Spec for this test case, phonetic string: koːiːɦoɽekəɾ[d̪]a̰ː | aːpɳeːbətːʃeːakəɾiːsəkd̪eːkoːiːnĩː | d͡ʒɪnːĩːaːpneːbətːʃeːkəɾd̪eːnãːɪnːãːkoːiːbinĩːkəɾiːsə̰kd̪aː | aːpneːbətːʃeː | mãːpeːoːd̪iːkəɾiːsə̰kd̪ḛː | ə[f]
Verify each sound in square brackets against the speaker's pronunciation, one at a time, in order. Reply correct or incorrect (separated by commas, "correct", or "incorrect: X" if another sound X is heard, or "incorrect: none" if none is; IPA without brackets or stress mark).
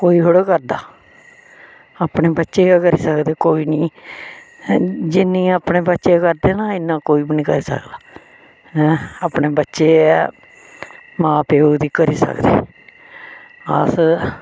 correct, incorrect: s